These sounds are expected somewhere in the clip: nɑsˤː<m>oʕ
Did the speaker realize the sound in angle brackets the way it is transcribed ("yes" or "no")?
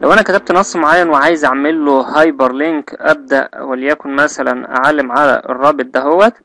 yes